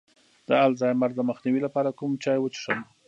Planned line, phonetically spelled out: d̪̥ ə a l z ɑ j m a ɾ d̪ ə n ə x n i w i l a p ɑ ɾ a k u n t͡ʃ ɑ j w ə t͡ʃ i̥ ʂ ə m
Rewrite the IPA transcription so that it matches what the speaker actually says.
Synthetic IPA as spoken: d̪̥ ə a l z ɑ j m a ɾ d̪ ə m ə x n i w i l a p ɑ ɾ a k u m t͡ʃ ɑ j w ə t͡ʃ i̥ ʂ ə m